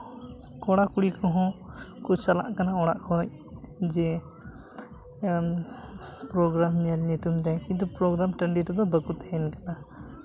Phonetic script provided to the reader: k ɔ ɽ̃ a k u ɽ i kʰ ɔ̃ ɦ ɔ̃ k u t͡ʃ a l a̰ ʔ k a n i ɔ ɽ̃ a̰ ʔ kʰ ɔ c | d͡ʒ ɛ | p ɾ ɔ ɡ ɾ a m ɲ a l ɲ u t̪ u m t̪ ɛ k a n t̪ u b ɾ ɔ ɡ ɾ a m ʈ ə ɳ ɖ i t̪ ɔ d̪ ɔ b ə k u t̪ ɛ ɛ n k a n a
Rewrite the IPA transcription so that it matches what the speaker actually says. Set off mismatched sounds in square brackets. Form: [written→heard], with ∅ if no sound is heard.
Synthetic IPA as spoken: k ɔ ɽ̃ a k u ɽ i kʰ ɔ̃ ɦ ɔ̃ k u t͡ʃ a l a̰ ʔ k a n [i→a] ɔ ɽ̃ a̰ ʔ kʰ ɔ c | d͡ʒ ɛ | p ɾ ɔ ɡ ɾ a m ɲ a l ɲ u t̪ u m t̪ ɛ k [a→i] n t̪ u [b→p] ɾ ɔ ɡ ɾ a m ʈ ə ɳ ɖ i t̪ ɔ d̪ ɔ b ə k u t̪ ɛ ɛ n k a n a